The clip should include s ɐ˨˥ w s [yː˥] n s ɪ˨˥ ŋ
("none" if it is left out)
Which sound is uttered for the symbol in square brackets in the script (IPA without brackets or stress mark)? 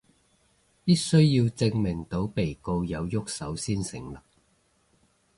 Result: iː˥